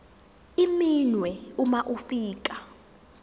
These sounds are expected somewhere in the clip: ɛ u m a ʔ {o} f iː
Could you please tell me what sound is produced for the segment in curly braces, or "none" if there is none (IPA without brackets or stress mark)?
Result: u